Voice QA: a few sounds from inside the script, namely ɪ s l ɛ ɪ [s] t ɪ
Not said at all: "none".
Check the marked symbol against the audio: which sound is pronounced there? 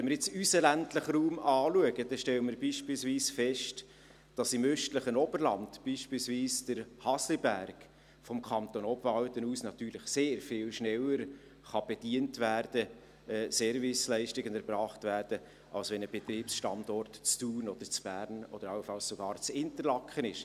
ʃ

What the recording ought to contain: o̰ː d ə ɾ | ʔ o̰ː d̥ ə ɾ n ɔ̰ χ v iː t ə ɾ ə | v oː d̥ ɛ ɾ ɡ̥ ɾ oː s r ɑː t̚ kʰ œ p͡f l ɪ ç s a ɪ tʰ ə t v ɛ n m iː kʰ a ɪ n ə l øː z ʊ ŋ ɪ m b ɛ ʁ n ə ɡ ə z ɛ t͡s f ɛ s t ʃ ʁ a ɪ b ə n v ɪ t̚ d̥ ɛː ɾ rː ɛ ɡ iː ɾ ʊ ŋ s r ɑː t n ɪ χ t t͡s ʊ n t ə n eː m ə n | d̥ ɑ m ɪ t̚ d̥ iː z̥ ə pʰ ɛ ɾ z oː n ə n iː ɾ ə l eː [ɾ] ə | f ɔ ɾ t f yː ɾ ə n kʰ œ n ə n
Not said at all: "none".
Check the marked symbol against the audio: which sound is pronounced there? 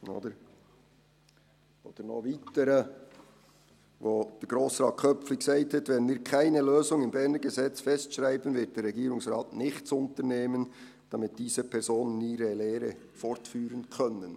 ɾ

